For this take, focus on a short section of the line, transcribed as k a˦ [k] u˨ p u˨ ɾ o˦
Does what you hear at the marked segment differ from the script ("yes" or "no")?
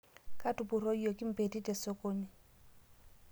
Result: yes